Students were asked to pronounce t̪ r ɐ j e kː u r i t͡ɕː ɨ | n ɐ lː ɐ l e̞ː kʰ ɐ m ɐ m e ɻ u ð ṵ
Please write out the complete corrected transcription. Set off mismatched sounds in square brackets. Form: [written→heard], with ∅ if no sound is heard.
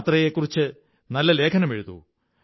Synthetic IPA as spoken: t̪ r ɐ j e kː u r i t͡ɕː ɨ | n ɐ lː ɐ l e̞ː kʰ ɐ [m→n] ɐ m e ɻ u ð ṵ